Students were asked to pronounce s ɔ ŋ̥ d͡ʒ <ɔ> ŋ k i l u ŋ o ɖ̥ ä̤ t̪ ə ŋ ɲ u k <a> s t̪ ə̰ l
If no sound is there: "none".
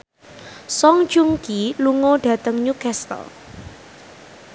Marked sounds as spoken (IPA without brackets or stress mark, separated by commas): u, ɛ